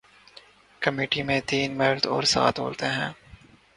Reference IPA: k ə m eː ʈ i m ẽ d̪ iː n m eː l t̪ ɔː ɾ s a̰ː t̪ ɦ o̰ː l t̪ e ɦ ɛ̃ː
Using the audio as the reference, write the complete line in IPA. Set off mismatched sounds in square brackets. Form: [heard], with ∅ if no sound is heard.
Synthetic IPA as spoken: k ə m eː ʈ i m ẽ [t̪] iː n m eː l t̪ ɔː ɾ s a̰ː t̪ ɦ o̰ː l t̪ e ɦ ɛ̃ː